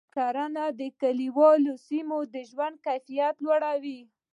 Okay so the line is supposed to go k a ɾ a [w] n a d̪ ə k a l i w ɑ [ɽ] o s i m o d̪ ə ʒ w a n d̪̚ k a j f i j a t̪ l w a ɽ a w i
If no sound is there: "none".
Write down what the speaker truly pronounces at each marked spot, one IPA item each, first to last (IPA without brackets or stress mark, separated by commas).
none, l